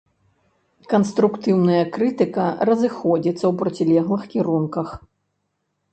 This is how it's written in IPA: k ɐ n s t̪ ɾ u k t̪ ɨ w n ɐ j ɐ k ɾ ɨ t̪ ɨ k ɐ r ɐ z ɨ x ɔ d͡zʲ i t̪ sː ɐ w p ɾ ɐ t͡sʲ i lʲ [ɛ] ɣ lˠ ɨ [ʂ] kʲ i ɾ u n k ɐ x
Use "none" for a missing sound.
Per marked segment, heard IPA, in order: ɛ, x

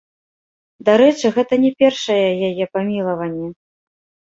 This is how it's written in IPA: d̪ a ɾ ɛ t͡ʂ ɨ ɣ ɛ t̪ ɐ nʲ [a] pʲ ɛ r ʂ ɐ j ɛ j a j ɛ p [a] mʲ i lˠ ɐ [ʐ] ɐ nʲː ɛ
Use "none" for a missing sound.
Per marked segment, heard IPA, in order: ɛ, a, v

